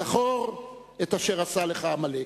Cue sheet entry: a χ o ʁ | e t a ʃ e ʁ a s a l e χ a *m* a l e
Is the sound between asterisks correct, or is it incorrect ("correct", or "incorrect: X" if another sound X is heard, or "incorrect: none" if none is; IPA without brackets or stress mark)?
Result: correct